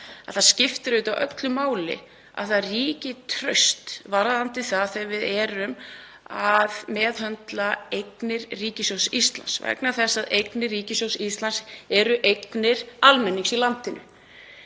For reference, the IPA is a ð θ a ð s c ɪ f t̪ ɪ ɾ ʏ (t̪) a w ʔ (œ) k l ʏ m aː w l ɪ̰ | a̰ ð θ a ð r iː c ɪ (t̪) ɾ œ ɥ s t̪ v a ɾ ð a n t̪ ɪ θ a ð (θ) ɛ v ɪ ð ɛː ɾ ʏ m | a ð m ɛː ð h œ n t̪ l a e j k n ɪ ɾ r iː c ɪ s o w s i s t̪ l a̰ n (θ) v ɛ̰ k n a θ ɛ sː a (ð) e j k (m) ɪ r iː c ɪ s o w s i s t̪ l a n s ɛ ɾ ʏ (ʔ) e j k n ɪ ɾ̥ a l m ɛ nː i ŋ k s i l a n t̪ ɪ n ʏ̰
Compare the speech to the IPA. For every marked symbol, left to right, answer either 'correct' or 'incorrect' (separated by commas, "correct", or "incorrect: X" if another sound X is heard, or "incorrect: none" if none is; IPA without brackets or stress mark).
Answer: correct, correct, incorrect: t̪ʰ, correct, incorrect: s, correct, incorrect: n, correct